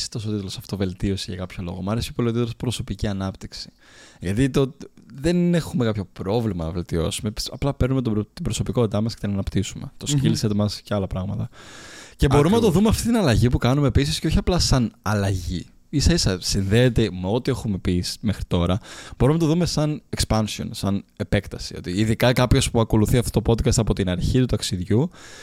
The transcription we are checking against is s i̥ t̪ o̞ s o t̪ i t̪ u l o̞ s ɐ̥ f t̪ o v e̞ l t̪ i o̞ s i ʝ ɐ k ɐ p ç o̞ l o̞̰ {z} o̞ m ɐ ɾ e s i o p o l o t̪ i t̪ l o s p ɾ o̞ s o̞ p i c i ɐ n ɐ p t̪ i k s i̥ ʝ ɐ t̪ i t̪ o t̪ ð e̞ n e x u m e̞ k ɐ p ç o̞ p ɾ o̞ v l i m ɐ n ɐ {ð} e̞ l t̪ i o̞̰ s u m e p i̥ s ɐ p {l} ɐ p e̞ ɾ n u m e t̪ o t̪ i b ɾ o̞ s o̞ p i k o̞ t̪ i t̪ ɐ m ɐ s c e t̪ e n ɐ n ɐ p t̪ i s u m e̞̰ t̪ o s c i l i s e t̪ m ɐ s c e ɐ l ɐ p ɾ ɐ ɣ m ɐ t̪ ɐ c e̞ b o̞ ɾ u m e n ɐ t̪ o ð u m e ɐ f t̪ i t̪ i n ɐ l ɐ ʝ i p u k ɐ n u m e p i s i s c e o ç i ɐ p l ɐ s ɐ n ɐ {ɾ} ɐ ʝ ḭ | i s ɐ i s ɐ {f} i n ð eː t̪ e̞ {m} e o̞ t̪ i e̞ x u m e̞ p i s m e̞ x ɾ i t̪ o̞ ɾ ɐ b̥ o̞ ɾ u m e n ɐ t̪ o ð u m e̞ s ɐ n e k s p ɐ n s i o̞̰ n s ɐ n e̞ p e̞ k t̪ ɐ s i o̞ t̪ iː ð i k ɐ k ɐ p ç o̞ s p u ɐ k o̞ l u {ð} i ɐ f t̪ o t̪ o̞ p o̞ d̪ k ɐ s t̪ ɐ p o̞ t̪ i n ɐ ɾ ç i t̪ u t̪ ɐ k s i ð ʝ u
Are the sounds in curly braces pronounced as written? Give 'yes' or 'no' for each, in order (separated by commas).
no, no, yes, no, no, yes, no